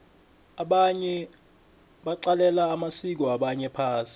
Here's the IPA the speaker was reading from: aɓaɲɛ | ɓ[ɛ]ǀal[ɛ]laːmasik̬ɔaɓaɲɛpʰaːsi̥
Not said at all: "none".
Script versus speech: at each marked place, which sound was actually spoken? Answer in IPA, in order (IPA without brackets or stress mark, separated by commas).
a, ɛ